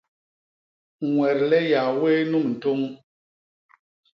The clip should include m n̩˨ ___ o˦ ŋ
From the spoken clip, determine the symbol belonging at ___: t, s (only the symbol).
t